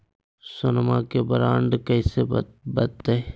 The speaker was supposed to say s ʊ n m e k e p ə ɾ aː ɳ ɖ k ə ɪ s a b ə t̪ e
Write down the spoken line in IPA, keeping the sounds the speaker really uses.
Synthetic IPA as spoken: s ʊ n m a k e b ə ɾ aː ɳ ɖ k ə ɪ s e b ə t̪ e

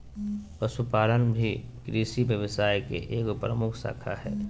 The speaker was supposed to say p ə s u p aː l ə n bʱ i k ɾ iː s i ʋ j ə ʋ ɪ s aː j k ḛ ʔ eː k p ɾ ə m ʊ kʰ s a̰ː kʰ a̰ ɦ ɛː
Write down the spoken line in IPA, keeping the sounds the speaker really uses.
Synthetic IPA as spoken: p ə s u p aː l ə n bʱ i k ɾ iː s i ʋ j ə ʋ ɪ s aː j k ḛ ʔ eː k p ɾ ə m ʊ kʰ s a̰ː kʰ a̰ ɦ ɛː

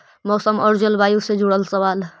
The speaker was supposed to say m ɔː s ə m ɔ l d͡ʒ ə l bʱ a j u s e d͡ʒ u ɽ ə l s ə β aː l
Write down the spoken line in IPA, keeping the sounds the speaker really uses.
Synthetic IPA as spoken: m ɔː s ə m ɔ ɾ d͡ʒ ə l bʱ a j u s e d͡ʒ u ɽ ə l s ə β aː l

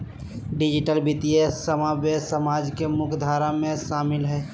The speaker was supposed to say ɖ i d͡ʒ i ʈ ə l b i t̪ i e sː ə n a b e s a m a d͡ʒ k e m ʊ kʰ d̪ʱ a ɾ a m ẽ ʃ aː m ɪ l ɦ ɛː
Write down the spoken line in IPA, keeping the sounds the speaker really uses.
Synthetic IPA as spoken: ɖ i d͡ʒ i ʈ ə l b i t̪ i e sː ə m a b e s ə m a d͡ʒ k e m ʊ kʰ d̪ʱ a ɾ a m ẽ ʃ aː m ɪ l ɦ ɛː

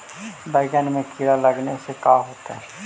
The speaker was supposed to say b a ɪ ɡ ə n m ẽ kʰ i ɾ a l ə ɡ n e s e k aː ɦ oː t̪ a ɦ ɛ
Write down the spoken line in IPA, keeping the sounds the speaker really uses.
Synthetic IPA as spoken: b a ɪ ɡ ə n m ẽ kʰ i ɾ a l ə ɡ n e s e k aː ɦ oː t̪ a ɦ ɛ

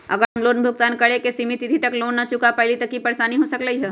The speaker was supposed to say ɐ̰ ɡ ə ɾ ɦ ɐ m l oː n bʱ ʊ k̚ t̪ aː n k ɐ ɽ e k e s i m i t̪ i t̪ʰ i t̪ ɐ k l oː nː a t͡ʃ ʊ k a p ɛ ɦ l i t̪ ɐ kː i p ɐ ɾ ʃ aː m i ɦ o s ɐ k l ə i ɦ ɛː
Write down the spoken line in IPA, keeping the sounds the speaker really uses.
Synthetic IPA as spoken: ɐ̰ ɡ ə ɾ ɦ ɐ m l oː n bʱ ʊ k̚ t̪ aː n k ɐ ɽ e k e s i m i t̪ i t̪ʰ i t̪ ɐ k l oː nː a t͡ʃ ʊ k a p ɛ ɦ l i t̪ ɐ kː i p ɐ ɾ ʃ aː n i ɦ o s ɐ k l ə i ɦ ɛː

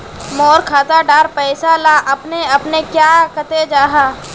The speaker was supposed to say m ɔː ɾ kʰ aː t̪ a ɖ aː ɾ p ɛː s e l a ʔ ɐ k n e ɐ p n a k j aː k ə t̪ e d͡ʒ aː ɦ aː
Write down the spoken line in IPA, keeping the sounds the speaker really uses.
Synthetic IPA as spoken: m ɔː ɾ kʰ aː t̪ a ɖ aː ɾ p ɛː s a l a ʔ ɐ p n e ɐ p n e k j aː k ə t̪ e d͡ʒ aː ɦ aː

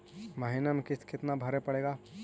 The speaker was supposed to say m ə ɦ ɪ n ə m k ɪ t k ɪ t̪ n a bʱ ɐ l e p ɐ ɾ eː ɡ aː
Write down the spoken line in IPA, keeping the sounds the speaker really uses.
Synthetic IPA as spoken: m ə ɦ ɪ n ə m k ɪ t k ɪ t̪ n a bʱ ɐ ɾ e p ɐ ɽ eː ɡ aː

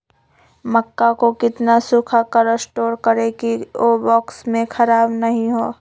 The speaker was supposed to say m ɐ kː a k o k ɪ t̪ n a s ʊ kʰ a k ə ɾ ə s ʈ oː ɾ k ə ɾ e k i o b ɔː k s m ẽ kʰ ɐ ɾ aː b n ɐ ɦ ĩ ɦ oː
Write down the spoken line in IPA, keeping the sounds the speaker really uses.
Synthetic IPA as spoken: m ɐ kː a k o k ɪ t̪ n a s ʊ kʰ a k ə ɾ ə s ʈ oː ɾ k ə ɾ e k i o b ɔː k s m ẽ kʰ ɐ ɾ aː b n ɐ ɦ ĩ ɦ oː

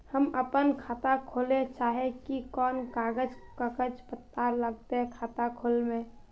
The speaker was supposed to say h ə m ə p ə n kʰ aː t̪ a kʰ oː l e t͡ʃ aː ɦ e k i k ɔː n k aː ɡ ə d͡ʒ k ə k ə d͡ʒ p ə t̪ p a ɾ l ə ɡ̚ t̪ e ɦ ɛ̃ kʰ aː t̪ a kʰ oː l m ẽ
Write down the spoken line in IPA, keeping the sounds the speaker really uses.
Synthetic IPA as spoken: h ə m ə p ə n kʰ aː t̪ a kʰ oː l e t͡ʃ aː ɦ e k i k ɔː n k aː ɡ ə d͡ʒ k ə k ə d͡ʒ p ə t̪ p a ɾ l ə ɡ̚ t̪ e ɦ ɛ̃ kʰ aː t̪ a kʰ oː l m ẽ

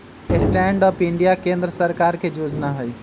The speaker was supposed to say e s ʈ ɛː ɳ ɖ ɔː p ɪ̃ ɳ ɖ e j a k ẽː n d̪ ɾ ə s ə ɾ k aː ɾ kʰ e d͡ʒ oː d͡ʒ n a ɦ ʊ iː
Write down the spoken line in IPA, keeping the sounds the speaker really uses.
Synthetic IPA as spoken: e s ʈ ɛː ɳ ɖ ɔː p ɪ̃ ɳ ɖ i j a k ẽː n d̪ ɾ ə s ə ɾ k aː ɾ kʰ e d͡ʒ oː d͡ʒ n a ɦ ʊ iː

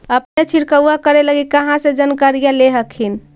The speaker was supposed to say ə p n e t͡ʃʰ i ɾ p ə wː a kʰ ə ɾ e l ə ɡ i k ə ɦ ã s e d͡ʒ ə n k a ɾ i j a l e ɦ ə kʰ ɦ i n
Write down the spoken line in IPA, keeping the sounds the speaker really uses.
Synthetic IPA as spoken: ə p n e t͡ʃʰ i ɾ k ə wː a k ə ɾ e l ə ɡ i k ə ɦ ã s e d͡ʒ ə n k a ɾ i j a l e ɦ ə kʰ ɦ i n

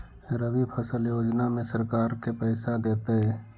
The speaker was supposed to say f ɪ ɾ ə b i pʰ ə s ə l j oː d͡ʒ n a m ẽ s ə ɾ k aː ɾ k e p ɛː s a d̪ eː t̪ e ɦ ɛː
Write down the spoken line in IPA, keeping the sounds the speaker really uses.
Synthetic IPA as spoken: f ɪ ɾ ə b i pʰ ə s ə l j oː d͡ʒ n a m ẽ s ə ɾ k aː ɾ k e p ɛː s a d̪ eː t̪ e ɦ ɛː

